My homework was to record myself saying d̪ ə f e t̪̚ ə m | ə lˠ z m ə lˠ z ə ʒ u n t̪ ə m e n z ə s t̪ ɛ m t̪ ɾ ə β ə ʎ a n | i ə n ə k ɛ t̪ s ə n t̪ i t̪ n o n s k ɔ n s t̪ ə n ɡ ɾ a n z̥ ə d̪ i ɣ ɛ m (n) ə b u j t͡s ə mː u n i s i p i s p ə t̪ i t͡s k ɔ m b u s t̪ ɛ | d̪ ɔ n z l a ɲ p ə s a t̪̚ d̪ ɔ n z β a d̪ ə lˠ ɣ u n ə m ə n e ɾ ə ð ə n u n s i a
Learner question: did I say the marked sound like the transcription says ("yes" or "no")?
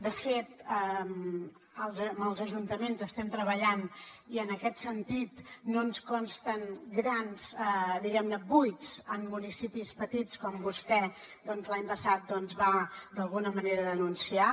yes